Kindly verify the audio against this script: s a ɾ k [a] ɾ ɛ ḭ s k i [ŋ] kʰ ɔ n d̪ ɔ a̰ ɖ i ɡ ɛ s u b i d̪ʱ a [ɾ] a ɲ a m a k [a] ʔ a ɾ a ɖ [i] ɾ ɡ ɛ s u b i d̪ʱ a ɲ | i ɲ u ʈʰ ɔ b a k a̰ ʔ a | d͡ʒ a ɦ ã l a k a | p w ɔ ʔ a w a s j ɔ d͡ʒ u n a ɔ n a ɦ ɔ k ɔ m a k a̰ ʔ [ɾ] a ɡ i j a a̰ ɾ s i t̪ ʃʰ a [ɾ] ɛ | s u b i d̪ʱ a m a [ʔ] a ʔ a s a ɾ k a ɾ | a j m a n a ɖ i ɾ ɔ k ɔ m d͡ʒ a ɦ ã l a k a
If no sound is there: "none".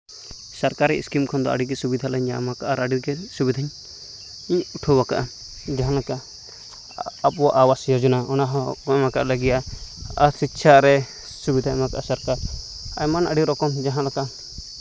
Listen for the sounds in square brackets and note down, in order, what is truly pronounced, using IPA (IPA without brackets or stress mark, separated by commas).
a, m, l, a, i, l, ɾ, k